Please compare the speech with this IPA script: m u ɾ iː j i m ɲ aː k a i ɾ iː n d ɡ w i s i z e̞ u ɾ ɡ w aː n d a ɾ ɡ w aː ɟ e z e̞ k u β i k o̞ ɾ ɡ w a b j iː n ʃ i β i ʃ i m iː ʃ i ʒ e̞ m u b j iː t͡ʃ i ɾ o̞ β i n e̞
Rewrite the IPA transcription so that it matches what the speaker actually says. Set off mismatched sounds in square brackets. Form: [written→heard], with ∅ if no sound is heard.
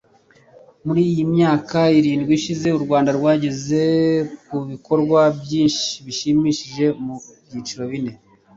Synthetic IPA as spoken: m u ɾ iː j i m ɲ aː k a i ɾ iː n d ɡ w i [s→ʃ] i z e̞ u ɾ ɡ w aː n d a ɾ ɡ w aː ɟ e z e̞ k u β i k o̞ ɾ ɡ w a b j iː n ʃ i β i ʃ i m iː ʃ i ʒ e̞ m u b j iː t͡ʃ i ɾ o̞ β i n e̞